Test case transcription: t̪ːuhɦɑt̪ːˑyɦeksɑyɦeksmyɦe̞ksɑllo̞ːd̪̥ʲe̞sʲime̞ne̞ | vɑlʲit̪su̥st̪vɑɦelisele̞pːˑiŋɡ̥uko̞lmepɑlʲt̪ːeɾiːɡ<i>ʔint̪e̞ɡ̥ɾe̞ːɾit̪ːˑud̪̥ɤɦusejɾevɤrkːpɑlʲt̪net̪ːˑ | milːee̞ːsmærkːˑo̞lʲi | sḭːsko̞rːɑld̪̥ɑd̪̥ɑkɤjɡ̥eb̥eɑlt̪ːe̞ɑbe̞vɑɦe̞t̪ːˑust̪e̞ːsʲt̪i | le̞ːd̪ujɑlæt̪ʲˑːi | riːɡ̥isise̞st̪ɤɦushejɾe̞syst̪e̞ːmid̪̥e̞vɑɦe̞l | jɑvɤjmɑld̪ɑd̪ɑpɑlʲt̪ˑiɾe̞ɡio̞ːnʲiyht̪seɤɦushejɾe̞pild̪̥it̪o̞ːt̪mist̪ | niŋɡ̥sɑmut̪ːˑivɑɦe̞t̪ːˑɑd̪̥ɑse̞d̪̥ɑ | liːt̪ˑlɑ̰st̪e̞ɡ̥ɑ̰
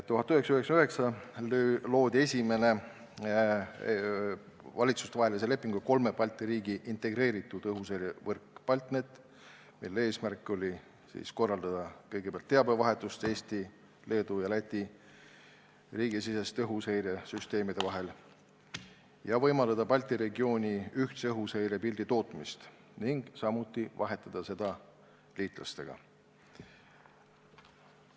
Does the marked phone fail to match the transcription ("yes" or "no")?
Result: no